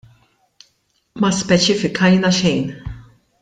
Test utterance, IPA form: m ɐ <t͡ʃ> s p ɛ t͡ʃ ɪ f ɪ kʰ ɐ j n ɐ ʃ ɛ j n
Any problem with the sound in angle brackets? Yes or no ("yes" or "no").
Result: yes